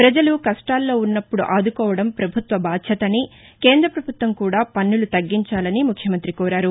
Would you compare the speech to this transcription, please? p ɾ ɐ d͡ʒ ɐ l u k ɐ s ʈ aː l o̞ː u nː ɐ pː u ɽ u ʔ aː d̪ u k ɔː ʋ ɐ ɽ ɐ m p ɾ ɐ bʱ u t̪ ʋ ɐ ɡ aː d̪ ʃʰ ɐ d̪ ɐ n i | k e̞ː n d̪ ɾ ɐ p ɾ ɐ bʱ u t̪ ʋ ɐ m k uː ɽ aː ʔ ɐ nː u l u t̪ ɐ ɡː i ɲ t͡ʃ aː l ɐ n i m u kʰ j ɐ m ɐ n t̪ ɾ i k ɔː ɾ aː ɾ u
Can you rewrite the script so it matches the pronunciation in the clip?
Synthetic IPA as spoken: p ɾ ɐ d͡ʒ ɐ l u k ɐ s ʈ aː lː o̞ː u nː ɐ pː u ɽ u ʔ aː d̪ u k ɔː ʋ ɐ ɽ ɐ m p ɾ ɐ bʱ u t̪ ʋ ɐ b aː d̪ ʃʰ ɐ t̪ ɐ n i | k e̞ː n d̪ ɾ ɐ p ɾ ɐ bʱ u t̪ ʋ ɐ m k uː ɽ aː p ɐ nː u l u t̪ ɐ ɡː i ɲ t͡ʃ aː l ɐ n i m u kʰ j ɐ m ɐ n t̪ ɾ i k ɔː ɾ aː ɾ u